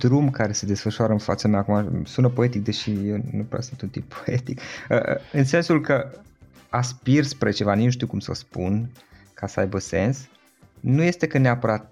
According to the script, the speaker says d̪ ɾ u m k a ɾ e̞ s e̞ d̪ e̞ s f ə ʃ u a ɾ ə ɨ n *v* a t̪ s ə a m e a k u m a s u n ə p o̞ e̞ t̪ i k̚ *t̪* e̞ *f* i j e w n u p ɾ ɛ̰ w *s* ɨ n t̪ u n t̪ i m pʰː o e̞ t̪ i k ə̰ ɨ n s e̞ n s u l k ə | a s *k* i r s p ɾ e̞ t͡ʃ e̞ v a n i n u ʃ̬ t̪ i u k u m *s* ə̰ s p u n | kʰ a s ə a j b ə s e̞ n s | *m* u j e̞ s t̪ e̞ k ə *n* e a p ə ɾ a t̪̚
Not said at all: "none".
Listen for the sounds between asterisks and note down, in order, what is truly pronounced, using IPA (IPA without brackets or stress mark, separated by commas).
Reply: f, d̪, ʃ, s, p, s, n, n